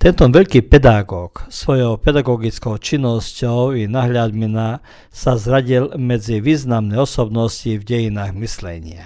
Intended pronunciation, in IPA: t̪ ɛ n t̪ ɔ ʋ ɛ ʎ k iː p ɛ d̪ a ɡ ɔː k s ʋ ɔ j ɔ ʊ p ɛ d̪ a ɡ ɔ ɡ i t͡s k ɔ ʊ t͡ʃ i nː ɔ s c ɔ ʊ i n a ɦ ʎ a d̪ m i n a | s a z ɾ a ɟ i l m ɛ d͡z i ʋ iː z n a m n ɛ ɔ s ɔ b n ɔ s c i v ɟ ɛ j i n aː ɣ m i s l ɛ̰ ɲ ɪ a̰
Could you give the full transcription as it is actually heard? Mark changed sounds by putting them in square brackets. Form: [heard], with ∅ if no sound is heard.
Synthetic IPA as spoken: t̪ ɛ n t̪ ɔ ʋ ɛ ʎ k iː p ɛ d̪ a ɡ ɔː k s ʋ ɔ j ɔ ʊ p ɛ d̪ a ɡ ɔ ɡ i t͡s k ɔ ʊ t͡ʃ i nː ɔ s c ɔ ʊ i n a ɦ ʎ a d̪ m i n a | s a z ɾ a ɟ i l m ɛ d͡z i ʋ iː z n a m n ɛ ɔ s ɔ b n ɔ s c i v ɟ ɛ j i n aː ɣ m i s l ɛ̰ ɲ ɪ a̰